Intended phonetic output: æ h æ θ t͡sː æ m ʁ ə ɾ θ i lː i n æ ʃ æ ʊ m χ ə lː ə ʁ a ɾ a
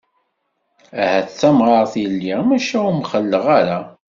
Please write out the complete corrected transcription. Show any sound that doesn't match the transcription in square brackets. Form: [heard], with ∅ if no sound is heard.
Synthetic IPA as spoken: æ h æ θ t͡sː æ m ʁ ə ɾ θ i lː i [m] æ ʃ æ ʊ m χ ə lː ə ʁ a ɾ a